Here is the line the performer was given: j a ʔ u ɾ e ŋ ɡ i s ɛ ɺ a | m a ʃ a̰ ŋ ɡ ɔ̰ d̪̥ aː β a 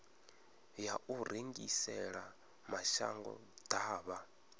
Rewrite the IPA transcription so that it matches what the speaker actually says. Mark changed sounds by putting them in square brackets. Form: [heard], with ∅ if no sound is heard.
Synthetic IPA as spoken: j a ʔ u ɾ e ŋ ɡ i s ɛ ɺ a | m a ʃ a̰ ŋ ɡ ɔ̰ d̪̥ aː β a